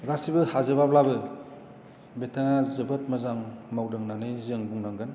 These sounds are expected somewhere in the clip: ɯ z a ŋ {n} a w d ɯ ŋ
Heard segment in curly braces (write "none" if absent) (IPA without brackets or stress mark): m